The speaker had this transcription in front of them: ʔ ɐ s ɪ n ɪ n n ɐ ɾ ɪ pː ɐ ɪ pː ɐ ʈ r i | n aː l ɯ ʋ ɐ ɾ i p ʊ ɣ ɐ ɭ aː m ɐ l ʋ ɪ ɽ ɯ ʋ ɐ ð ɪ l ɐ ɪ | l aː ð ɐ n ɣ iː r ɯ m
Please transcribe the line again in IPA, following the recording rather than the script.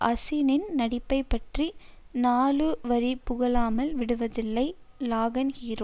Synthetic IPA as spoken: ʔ ɐ s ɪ n ɪ n n ɐ ɽ ɪ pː ɐ ɪ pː ɐ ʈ r i | n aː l ɯ ʋ ɐ ɾ i p ʊ ɣ ɐ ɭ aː m ɐ l ʋ ɪ ɽ ɯ ʋ ɐ ð ɪ lː ɐ ɪ | l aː ɣ ɐ n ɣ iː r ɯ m

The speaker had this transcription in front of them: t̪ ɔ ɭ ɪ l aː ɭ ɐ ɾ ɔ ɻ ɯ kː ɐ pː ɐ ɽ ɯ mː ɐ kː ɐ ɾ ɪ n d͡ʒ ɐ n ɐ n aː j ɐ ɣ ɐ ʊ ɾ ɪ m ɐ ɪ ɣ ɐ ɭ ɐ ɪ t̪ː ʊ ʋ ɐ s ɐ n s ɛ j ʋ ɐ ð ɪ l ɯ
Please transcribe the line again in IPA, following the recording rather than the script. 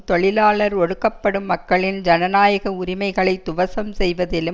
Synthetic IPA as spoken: t̪ ɔ ɭ ɪ l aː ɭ ɐ ɾ ɔ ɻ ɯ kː ɐ pː ɐ ɽ ɯ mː ɐ kː ɐ ɭ ɪ n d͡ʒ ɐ n ɐ n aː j ɐ ɣ ɐ ʊ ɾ ɪ m ɐ ɪ ɣ ɐ ɭ ɐ ɪ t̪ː ʊ ʋ ɐ s ɐ m s ɛ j ʋ ɐ ð ɪ l ɯ

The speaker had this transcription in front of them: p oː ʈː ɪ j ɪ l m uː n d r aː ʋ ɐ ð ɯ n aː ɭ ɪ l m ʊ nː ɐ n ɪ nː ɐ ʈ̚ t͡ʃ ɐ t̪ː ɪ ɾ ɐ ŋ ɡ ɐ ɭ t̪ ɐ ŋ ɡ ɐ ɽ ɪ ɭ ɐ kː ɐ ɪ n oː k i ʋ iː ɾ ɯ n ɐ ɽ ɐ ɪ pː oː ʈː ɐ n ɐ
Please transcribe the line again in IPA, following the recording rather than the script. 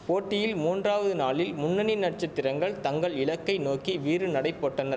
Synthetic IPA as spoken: p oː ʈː ɪ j ɪ l m uː n d r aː ʋ ɐ ð ɯ n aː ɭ ɪ l m ʊ nː ɐ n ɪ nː ɐ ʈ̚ t͡ʃ ɐ t̪ː ɪ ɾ ɐ ŋ ɡ ɐ ɭ t̪ ɐ ŋ ɡ ɐ ɭ ɪ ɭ ɐ kː ɐ ɪ n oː k i ʋ iː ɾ ɯ n ɐ ɽ ɐ ɪ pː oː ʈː ɐ n ɐ

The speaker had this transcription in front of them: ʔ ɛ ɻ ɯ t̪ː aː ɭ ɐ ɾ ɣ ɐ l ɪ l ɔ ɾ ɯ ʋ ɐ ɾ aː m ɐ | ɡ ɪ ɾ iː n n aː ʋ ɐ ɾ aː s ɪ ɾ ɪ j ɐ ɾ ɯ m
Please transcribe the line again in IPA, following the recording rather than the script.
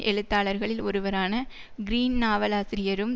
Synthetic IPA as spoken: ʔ ɛ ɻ ɯ t̪ː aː ɭ ɐ ɾ ɣ ɐ ɭ ɪ l ɔ ɾ ɯ ʋ ɐ ɾ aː n ɐ | ɡ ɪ ɾ iː n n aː ʋ ɐ l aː s ɪ ɾ ɪ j ɐ ɾ ɯ m

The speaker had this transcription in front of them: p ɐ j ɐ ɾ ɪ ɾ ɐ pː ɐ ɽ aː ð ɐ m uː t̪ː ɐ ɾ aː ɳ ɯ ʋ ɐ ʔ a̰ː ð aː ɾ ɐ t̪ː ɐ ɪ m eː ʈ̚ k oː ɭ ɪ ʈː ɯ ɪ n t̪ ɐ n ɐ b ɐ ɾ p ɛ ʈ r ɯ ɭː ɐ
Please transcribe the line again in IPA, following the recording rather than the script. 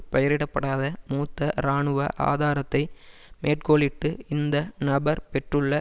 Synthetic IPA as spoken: p ɐ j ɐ ɾ ɪ ɽ ɐ pː ɐ ɽ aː ð ɐ m uː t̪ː ɐ ɾ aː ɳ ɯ ʋ ɐ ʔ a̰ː ð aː ɾ ɐ t̪ː ɐ ɪ m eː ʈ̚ k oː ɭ ɪ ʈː ɯ ɪ n d̪ ɐ n ɐ b ɐ ɾ p ɛ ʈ r ɯ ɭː ɐ

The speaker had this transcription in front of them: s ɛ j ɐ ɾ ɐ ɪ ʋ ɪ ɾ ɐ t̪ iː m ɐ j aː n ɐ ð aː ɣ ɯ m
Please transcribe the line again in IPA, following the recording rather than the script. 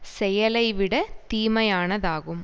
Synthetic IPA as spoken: s ɛ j ɐ l ɐ ɪ ʋ ɪ ɽ ɐ t̪ iː m ɐ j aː n ɐ ð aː ɣ ɯ m

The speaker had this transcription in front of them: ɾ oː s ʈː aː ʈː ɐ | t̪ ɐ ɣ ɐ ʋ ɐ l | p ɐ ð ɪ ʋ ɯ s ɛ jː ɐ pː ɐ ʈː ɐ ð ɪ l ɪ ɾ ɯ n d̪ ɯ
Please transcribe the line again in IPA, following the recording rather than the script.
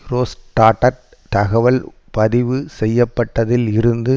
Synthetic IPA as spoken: ɾ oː s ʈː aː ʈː ɐ | t̪ ɐ ɣ ɐ ʋ ɐ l | p ɐ ð ɪ ʋ ɯ s ɛ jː ɐ pː ɐ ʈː ɐ ð ɪ l ɪ ɾ ɯ n d̪ ɯ

